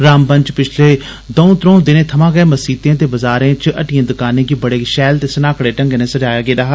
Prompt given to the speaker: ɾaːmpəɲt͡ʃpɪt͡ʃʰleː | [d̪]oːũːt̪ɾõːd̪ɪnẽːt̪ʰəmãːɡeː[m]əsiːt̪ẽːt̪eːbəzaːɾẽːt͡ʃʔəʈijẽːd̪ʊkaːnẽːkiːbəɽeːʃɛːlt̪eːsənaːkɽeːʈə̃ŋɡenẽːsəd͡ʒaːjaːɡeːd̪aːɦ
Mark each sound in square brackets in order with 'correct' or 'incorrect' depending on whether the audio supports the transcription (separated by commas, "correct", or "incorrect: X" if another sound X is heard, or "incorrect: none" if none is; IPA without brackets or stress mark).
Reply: correct, correct